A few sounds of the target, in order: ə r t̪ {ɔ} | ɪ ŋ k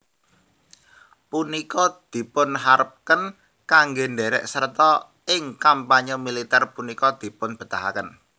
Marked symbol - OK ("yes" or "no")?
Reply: yes